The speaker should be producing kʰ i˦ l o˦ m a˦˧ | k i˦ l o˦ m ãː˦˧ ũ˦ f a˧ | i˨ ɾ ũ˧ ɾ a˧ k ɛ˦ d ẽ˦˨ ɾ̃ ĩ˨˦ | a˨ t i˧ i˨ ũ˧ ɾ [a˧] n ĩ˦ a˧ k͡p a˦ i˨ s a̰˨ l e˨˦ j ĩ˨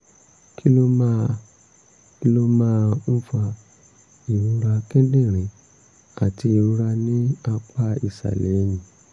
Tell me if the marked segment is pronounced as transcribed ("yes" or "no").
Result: yes